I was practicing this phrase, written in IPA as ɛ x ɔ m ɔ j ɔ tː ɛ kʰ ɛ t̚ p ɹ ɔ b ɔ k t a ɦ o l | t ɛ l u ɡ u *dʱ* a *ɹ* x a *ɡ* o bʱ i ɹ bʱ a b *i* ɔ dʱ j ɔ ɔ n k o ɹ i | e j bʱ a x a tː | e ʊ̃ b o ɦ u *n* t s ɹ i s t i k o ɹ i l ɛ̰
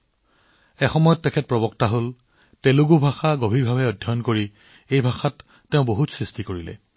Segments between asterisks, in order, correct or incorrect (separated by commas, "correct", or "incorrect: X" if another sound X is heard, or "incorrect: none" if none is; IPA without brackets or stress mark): incorrect: bʱ, incorrect: none, correct, incorrect: ɛ, incorrect: none